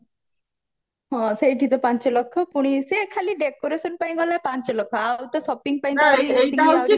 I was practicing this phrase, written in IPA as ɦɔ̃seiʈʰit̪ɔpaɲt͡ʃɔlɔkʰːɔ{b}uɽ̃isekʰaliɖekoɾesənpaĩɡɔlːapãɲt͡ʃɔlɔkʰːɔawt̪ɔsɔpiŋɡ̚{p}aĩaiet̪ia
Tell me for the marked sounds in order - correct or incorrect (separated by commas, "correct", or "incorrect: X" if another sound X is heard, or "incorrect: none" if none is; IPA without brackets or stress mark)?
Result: incorrect: p, correct